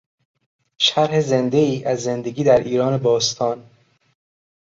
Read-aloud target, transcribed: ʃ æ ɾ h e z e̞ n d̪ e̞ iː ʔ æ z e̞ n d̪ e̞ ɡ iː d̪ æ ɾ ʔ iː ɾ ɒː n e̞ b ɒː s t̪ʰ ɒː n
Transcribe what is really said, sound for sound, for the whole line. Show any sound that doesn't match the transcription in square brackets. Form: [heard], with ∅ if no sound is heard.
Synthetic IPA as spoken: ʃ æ ɾ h e z e̞ n d̪ e̞ iː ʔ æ [zː] e̞ n d̪ e̞ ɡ iː d̪ æ ɾ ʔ iː ɾ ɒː n e̞ b ɒː s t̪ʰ ɒː n